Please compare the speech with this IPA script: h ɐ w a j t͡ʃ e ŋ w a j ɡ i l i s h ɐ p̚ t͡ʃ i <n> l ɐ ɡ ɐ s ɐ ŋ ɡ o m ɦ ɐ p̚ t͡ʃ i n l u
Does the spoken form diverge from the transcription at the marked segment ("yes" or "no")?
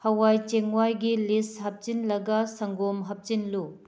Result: no